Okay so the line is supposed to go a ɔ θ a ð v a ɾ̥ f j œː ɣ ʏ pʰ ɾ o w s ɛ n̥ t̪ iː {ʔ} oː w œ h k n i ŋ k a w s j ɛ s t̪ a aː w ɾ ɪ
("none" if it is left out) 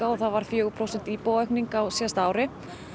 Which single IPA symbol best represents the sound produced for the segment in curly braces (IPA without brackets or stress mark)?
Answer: p